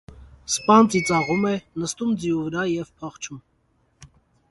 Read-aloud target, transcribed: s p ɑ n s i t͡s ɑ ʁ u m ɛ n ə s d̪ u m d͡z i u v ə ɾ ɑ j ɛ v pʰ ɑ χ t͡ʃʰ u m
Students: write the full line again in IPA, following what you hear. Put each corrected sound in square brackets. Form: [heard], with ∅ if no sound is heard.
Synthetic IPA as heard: s p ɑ n [t͡s] i t͡s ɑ ʁ u m ɛ n ə s [t̪] u m d͡z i u v ə ɾ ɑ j ɛ v pʰ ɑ χ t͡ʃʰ u m